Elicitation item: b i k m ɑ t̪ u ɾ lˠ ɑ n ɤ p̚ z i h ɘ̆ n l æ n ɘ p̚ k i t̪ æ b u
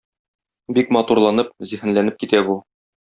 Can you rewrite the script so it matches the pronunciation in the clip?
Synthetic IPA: b i k m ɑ t̪ u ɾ lˠ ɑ n ɤ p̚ z i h ɘ̆ n l æ n ɘ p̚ k i t̪ æ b u

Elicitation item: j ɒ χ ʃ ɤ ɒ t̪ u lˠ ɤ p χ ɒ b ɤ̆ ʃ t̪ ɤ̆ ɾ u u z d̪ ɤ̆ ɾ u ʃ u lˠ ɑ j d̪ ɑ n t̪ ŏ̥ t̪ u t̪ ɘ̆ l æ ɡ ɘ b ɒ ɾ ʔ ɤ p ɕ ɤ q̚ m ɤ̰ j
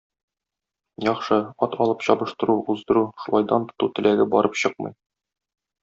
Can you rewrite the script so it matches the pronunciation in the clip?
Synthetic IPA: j ɒ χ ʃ ɤ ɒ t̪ ɒ lˠ ɤ p ɕ ɒ b ɤ̆ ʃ t̪ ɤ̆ ɾ u u z d̪ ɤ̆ ɾ u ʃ u lˠ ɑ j d̪ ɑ n t̪ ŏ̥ t̪ u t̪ ɘ̆ l æ ɡ ɘ b ɒ ɾ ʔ ɤ p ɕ ɤ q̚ m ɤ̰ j

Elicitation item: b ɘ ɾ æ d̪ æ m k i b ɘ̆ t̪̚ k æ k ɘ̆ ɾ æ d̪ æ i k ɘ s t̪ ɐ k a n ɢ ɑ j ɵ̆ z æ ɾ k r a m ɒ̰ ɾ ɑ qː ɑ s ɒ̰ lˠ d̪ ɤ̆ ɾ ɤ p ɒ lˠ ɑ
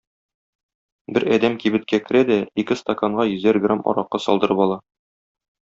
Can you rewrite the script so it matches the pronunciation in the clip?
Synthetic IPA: b ɘ ɾ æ d̪ æ m k i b ɘ̆ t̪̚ k æ k ɘ̆ ɾ æ d̪ æ i k ɘ s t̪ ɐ k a ɴ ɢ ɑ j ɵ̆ z æ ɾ ɡ r a m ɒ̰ ɾ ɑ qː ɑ s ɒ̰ lˠ d̪ ɤ̆ ɾ ɤ p ɒ lˠ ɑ

